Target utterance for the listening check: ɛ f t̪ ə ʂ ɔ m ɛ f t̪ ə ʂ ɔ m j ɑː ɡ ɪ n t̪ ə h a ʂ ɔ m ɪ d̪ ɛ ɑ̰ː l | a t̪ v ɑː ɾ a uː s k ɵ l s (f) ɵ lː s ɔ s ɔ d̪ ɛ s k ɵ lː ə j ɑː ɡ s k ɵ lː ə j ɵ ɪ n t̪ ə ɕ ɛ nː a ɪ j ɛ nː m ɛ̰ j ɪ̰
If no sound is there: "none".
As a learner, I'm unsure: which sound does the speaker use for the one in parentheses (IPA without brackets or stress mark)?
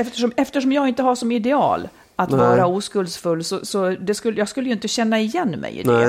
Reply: f